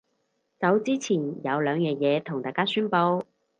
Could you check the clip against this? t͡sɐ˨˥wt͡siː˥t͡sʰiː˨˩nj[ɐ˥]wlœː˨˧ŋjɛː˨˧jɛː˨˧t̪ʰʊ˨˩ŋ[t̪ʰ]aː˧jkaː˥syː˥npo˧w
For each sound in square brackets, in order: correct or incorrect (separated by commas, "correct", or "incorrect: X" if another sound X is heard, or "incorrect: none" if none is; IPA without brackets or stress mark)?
incorrect: ɐ˨˧, incorrect: t̪